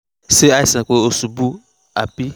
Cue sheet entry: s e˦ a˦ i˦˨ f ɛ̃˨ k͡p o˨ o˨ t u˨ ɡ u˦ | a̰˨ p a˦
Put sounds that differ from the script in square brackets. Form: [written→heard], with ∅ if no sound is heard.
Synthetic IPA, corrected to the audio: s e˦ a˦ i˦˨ [f→s] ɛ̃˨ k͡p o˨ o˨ [t→s] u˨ [ɡ→b] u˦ | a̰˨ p [a˦→i˦]